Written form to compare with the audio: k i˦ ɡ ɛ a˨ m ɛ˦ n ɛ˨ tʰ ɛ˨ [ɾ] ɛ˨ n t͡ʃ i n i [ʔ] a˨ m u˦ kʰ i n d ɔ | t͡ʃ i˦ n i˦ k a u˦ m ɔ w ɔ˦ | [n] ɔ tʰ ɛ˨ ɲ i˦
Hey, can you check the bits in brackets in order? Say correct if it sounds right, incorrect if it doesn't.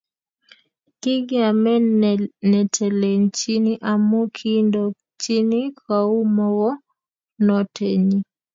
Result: incorrect: l, correct, correct

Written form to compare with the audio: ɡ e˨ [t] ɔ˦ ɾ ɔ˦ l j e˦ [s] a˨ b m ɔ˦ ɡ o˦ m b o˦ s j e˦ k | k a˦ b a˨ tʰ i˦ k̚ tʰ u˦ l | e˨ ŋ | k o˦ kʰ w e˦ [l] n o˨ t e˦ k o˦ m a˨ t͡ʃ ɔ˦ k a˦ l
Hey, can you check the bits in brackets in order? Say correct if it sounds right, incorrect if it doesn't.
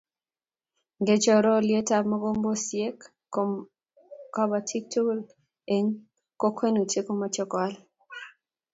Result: incorrect: t͡ʃ, incorrect: t, incorrect: none

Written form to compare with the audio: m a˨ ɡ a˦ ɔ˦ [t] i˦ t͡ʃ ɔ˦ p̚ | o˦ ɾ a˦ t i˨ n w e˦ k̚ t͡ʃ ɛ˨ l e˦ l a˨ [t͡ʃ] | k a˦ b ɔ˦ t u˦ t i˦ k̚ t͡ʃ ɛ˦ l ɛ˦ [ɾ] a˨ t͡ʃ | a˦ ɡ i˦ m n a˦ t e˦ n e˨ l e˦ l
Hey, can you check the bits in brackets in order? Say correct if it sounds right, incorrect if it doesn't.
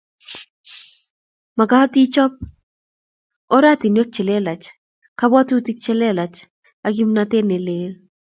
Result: correct, correct, incorrect: l

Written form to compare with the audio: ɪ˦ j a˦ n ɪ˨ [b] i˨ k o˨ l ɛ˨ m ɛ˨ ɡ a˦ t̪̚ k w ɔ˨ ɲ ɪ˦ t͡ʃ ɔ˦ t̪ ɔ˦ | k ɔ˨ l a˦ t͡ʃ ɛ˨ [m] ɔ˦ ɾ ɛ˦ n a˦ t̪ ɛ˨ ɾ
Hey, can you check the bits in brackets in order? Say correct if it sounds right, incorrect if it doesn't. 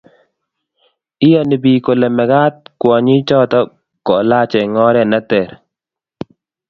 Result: correct, incorrect: ŋ

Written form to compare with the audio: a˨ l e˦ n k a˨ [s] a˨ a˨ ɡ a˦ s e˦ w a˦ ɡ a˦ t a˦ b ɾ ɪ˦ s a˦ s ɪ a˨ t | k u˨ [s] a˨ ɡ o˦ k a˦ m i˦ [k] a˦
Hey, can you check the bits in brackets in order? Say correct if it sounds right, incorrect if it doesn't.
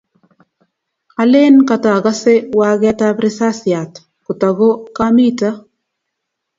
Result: incorrect: t, incorrect: t, incorrect: t

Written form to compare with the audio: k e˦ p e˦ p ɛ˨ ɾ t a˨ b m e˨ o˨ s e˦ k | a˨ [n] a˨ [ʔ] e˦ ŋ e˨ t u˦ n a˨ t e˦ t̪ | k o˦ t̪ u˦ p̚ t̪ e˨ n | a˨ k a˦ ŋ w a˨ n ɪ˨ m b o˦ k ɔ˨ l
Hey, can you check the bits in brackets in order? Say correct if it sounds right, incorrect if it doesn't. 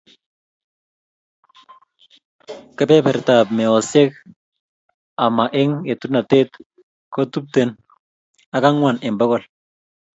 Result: incorrect: m, correct

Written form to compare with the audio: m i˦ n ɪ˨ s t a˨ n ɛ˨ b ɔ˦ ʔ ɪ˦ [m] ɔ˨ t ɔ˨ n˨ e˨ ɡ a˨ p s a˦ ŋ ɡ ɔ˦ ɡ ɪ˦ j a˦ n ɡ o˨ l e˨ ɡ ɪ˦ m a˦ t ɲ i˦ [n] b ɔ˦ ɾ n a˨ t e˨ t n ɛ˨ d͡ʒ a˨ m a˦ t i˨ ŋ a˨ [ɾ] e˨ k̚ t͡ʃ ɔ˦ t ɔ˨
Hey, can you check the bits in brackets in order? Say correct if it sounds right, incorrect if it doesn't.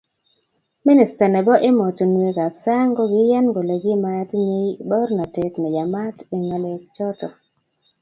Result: correct, incorrect: none, incorrect: l

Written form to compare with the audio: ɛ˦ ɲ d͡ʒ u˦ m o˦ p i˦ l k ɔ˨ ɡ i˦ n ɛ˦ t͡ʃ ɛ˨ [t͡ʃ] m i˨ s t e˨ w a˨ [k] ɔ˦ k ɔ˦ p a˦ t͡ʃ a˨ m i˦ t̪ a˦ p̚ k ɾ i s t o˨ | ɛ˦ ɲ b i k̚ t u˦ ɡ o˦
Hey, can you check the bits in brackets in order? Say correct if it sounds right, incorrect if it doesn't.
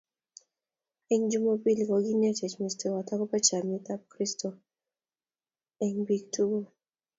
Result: correct, incorrect: t

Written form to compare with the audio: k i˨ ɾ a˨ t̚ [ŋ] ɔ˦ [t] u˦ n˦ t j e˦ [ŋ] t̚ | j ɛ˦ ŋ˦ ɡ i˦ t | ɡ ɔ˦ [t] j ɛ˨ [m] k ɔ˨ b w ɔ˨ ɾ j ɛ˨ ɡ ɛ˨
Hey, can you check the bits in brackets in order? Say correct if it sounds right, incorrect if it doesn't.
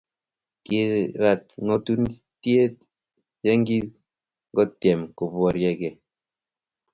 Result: correct, correct, incorrect: none, correct, correct

